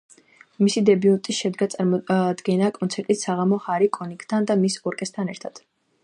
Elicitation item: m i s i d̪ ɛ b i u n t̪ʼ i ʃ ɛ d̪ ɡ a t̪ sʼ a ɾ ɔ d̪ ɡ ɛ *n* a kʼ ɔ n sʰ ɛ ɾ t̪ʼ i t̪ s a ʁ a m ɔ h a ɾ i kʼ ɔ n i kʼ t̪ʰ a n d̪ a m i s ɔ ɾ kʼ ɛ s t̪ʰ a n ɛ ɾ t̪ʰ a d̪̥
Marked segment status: correct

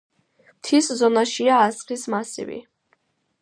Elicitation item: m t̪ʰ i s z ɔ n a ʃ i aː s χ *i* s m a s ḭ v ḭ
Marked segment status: correct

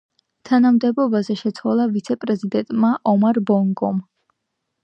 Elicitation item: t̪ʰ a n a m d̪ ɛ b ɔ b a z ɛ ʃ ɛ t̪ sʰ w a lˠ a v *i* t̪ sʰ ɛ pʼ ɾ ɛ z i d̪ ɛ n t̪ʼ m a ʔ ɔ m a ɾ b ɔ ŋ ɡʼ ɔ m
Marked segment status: correct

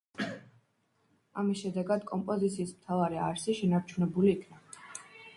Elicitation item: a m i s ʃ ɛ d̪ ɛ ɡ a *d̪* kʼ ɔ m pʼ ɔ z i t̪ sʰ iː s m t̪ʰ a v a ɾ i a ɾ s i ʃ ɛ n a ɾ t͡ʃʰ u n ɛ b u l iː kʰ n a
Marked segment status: correct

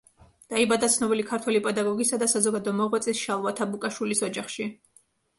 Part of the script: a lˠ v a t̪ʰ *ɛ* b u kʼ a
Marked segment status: incorrect: a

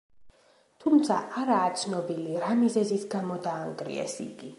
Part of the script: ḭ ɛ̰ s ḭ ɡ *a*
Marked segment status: incorrect: i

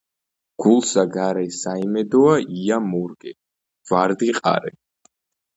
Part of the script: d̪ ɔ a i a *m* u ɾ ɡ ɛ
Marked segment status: correct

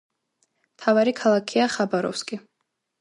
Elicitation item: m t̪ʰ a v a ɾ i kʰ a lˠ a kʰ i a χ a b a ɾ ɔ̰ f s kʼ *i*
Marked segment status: correct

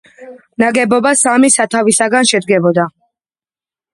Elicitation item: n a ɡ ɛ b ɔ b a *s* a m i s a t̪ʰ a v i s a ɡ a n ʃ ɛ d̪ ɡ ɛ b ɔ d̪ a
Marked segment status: correct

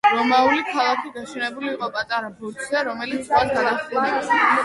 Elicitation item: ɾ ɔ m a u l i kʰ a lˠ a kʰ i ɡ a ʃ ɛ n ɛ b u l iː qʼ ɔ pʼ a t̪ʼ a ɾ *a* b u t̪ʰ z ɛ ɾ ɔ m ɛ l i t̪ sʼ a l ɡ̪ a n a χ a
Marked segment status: correct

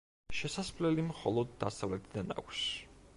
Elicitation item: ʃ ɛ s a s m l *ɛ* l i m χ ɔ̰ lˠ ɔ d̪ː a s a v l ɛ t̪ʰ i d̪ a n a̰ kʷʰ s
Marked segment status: correct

